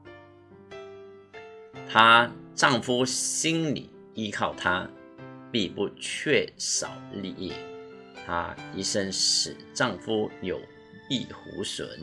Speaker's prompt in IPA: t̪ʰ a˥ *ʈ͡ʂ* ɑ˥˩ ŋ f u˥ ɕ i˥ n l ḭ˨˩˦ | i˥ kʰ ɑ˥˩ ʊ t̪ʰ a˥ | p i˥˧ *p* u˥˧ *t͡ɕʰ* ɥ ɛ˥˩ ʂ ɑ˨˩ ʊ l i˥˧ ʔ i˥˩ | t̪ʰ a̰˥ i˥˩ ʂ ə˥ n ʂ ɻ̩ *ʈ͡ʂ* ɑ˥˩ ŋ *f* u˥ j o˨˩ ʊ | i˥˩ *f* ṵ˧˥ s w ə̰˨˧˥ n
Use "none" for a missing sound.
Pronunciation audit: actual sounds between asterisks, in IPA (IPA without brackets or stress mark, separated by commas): ʈ͡ʂ, p, t͡ɕʰ, ʈ͡ʂ, f, x